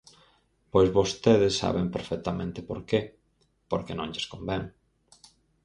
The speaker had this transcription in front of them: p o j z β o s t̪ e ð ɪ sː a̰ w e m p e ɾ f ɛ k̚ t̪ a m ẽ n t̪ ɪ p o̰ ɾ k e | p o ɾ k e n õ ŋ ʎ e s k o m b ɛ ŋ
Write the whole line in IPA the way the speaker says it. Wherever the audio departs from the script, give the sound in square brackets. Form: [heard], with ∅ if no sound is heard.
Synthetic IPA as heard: p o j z β o s t̪ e ð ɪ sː a̰ [β] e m p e ɾ f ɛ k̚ t̪ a m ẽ n t̪ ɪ p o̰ ɾ k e | p o ɾ k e n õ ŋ ʎ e s k o m b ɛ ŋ